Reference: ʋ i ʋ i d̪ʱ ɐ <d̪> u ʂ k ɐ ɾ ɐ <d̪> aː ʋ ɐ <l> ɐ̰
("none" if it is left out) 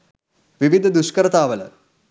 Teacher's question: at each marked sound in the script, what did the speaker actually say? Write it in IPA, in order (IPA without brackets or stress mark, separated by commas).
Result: d̪, t̪, l